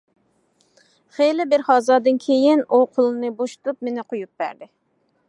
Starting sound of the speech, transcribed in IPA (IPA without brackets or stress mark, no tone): χ